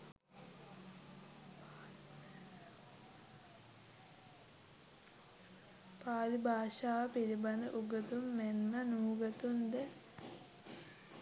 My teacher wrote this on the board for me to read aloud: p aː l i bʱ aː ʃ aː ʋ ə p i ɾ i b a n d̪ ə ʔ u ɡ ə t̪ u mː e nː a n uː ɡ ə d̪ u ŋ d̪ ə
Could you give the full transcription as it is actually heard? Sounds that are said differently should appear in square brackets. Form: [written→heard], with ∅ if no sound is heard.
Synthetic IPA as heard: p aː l i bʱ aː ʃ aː ʋ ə p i ɾ i b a n d̪ ə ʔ u ɡ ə t̪ u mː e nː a n uː ɡ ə [d̪→t̪] u [ŋ→n] d̪ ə